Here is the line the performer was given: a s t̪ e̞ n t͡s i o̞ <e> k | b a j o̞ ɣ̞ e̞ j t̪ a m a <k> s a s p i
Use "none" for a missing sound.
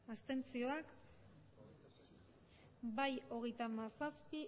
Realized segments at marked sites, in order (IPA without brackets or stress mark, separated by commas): a, none